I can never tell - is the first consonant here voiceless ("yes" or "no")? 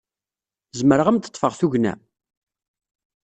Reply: no